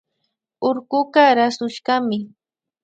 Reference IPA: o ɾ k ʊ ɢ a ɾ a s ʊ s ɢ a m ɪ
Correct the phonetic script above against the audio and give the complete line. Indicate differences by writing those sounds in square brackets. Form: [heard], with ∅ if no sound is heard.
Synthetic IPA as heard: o ɾ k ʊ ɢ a ɾ a s ʊ [ʃ] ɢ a m ɪ